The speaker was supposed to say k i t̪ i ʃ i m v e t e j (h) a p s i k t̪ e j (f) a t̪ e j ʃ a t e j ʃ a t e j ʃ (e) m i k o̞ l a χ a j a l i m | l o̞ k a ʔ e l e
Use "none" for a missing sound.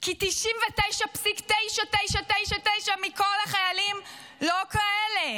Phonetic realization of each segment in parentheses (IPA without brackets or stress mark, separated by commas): ʃ, ʃ, a